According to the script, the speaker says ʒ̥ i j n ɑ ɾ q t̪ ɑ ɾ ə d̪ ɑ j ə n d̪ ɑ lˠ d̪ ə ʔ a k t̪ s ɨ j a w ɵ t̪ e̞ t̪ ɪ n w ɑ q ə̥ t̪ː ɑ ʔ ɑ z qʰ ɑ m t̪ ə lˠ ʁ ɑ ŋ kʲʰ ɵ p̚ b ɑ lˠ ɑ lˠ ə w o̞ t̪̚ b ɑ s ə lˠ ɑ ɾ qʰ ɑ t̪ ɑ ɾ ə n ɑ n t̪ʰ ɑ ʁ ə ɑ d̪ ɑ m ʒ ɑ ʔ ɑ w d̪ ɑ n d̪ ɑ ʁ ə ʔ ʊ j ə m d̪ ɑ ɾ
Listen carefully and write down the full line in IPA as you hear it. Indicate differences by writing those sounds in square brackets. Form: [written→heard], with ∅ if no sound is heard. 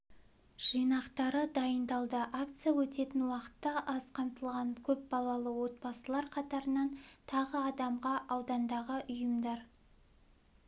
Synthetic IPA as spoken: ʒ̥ i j n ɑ [ɾ→∅] q t̪ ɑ ɾ ə d̪ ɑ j ə n d̪ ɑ lˠ d̪ ə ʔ a k t̪ s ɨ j a w ɵ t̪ e̞ t̪ ɪ n w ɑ q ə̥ t̪ː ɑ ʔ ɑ z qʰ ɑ m t̪ ə lˠ ʁ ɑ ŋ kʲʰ ɵ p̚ b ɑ lˠ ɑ lˠ ə w o̞ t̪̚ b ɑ s ə lˠ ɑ ɾ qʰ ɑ t̪ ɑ ɾ ə n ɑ n t̪ʰ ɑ ʁ ə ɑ d̪ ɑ m [ʒ→ʁ] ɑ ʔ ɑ w d̪ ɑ n d̪ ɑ ʁ ə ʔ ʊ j ə m d̪ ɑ ɾ